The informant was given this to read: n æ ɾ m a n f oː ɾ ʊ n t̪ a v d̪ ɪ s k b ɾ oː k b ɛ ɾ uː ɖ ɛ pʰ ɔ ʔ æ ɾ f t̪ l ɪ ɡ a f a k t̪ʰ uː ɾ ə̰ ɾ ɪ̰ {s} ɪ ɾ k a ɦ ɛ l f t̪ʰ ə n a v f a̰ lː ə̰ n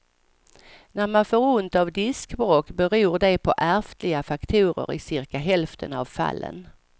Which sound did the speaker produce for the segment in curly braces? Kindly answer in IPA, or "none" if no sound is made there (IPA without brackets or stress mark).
s